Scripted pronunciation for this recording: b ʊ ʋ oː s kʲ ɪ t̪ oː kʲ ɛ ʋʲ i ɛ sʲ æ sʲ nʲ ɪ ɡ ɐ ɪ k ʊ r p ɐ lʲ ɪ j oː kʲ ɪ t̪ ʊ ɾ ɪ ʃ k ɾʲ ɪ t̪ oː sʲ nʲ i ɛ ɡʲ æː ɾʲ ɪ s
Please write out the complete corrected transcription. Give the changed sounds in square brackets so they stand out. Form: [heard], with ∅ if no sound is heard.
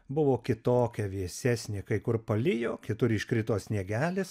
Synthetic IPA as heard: b ʊ ʋ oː [∅] kʲ ɪ t̪ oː kʲ ɛ ʋʲ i ɛ sʲ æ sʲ nʲ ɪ [k] ɐ ɪ k ʊ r p ɐ lʲ ɪ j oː kʲ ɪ t̪ ʊ ɾ ɪ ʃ k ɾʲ ɪ t̪ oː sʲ nʲ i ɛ ɡʲ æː [lʲ] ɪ s